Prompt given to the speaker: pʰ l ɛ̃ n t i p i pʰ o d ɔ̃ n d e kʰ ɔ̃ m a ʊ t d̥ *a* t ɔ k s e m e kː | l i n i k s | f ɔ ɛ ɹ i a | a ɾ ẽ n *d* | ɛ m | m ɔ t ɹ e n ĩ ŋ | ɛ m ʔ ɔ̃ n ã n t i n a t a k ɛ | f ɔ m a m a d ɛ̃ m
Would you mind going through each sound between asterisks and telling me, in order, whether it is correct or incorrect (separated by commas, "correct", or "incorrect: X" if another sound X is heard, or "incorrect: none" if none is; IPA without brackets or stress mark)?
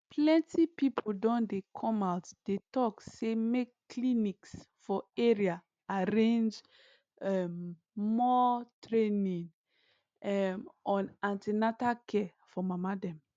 incorrect: e, incorrect: d͡ʒ